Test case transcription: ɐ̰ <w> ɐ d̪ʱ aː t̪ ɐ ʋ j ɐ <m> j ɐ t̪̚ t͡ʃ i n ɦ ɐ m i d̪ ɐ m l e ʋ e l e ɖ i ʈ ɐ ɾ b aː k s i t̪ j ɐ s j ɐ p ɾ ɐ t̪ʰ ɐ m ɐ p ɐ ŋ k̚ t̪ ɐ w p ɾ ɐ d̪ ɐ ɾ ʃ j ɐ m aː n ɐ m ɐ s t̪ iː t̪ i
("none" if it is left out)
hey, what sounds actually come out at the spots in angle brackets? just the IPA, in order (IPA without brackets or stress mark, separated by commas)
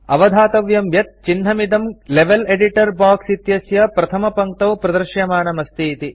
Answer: ʋ, m